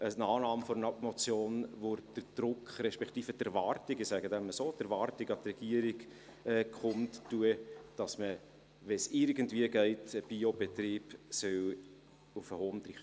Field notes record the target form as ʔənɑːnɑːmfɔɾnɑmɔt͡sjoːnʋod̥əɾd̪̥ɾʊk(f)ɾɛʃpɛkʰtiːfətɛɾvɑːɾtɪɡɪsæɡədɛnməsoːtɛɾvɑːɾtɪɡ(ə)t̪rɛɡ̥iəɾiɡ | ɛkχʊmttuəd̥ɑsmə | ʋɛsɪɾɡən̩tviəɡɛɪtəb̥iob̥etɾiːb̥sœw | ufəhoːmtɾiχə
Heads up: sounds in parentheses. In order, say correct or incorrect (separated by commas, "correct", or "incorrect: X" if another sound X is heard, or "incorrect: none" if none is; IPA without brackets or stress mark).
incorrect: χ, incorrect: ɑ